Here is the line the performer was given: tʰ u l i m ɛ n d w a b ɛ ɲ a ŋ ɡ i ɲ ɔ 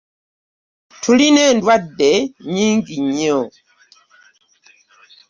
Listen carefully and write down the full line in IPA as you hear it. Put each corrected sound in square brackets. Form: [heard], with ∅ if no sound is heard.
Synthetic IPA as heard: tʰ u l i [n] ɛ n d w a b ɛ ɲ [i] ŋ ɡ i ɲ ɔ